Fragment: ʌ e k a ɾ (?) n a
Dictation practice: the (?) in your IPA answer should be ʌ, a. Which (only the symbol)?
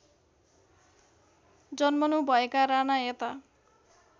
a